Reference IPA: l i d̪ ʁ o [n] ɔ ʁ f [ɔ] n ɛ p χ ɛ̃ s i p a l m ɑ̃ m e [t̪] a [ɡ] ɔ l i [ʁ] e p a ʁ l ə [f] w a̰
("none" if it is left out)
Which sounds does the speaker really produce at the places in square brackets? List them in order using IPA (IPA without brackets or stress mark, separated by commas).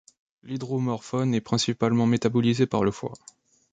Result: m, ɔ, t̪, b, z, f